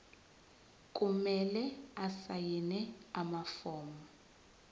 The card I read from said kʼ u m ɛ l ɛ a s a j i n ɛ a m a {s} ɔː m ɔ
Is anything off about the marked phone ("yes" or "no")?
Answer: yes